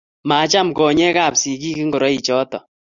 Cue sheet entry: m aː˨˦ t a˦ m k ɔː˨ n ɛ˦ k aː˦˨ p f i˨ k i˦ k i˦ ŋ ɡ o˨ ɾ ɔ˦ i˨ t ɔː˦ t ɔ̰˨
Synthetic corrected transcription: m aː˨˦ t͡ʃ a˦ m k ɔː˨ ɲ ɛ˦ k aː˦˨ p s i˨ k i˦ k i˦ ŋ ɡ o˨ ɾ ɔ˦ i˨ t͡ʃ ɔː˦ t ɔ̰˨

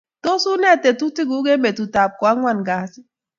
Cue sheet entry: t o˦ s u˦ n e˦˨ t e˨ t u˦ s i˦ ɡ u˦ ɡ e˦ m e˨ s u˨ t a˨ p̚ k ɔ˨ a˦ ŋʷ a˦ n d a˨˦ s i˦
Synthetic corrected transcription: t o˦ s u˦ n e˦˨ t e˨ t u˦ t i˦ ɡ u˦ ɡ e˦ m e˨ t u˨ t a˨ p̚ k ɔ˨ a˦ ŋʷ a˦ n ɡ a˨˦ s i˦

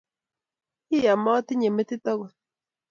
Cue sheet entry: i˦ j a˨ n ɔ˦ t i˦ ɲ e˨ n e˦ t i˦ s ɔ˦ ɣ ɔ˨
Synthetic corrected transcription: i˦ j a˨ m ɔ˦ t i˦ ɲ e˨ m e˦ t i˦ t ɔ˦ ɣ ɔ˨

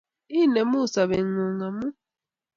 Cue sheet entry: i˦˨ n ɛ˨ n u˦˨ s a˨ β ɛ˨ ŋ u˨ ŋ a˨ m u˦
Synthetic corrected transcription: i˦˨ n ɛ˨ m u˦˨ s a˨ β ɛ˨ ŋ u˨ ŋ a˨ m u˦

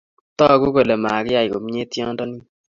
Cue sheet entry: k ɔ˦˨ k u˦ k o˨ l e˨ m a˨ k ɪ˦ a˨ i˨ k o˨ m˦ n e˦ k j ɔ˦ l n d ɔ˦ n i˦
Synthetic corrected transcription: t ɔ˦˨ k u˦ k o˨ l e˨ m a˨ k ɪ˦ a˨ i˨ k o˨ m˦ ɲ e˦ t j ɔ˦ n d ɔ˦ n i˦

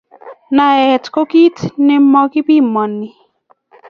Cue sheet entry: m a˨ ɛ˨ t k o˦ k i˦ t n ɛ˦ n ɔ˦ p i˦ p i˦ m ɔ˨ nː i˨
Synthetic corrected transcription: n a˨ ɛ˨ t k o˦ k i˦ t n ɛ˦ m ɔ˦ k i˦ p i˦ m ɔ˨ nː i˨

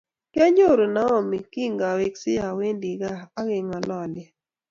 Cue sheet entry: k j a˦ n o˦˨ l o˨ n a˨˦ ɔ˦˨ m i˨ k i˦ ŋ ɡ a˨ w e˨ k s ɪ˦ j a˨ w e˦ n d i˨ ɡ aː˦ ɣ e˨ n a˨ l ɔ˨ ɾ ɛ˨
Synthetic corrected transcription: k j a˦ ɲ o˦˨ ɾ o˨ n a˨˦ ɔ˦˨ m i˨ k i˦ ŋ ɡ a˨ w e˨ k s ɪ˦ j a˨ w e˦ n d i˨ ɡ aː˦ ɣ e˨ ŋ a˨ l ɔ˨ l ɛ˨

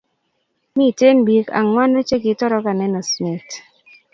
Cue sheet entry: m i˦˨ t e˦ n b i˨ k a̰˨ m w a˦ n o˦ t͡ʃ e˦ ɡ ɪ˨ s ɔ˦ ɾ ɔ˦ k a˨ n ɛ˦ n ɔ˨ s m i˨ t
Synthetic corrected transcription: m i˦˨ t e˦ n b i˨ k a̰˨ ŋ w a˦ n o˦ t͡ʃ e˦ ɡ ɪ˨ t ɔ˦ ɾ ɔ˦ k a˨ n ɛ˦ n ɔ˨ s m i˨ t

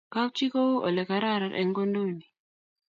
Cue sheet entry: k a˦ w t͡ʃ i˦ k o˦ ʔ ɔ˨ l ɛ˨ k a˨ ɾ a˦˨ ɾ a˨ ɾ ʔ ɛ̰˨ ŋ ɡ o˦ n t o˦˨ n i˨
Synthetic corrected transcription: k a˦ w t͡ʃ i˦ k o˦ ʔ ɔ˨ l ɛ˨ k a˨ ɾ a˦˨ ɾ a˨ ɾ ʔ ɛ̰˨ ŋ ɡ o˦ n d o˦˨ n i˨

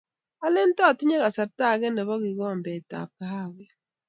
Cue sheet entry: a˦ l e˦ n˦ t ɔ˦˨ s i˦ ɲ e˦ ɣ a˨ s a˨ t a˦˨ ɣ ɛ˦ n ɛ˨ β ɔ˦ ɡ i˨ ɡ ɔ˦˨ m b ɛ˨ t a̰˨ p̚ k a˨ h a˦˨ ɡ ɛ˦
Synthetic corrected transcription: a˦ l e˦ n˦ t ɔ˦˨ t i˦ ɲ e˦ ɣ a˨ s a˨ t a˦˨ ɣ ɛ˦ n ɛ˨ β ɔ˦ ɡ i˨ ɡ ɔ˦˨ m b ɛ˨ t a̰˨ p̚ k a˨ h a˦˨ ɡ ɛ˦

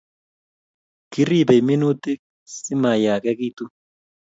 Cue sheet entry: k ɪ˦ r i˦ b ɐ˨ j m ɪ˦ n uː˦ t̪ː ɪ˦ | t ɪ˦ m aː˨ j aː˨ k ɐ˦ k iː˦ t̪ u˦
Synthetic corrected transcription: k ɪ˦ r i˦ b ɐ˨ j m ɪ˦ n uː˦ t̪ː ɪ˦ | s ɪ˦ m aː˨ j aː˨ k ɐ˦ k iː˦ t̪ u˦

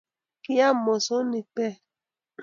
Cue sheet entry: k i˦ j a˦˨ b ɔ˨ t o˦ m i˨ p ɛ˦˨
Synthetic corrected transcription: k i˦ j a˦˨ m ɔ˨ s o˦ n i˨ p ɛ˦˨

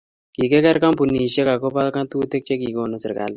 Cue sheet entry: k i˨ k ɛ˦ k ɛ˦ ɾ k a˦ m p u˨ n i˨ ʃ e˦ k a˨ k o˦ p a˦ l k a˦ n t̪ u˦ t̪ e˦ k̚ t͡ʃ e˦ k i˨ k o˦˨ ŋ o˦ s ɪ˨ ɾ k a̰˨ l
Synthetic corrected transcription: k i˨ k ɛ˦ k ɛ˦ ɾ k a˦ m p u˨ n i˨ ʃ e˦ k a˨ k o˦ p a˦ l k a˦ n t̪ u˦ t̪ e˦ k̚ t͡ʃ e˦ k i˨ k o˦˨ n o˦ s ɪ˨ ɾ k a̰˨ l

